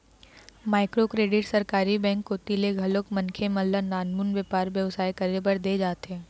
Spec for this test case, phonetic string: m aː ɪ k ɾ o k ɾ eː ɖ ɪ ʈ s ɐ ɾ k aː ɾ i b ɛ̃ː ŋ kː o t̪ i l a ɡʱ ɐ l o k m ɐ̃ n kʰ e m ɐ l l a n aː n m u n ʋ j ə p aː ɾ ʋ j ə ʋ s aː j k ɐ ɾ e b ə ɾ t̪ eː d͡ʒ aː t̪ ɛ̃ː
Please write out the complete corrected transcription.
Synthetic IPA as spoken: m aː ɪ k ɾ o k ɾ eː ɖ ɪ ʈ s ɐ ɾ k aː ɾ i b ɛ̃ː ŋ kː o t̪ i l e ɡʱ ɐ l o k m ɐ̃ n kʰ e m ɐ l l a n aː n m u n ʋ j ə p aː ɾ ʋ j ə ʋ s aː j k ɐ ɾ e b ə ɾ d̪ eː d͡ʒ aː t̪ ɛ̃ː